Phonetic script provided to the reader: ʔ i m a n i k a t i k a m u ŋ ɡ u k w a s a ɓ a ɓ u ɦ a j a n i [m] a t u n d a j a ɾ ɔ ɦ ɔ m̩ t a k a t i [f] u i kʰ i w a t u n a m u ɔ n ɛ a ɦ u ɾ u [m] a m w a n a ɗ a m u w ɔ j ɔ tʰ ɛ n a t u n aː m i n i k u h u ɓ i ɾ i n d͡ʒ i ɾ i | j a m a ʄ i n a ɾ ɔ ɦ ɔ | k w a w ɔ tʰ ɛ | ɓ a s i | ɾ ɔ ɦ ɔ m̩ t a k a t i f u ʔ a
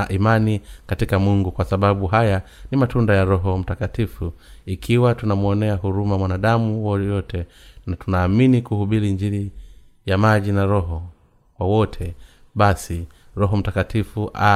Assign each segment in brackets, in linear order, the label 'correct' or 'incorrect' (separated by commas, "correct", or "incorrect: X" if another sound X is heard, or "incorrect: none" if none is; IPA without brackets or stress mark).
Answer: correct, correct, correct